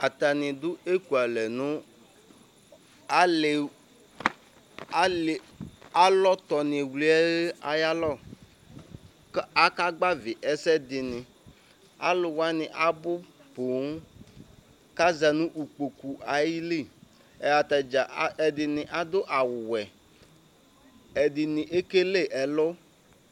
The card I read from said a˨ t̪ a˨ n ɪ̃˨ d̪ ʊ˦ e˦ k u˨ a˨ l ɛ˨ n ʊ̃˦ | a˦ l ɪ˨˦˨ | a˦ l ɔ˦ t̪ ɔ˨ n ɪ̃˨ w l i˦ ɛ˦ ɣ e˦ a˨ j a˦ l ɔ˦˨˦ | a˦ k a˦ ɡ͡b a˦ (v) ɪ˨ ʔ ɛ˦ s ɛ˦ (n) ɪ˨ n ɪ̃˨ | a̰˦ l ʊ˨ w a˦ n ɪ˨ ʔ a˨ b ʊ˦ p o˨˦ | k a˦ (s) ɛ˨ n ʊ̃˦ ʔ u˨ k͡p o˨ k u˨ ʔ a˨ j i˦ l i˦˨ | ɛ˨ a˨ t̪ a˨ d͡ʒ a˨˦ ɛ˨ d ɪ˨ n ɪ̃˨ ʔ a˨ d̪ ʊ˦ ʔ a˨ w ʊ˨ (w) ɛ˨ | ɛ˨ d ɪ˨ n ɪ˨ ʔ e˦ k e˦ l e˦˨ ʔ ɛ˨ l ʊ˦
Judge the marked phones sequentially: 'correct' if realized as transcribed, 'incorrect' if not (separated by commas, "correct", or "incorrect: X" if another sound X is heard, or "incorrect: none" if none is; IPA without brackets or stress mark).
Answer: correct, incorrect: d, incorrect: z, correct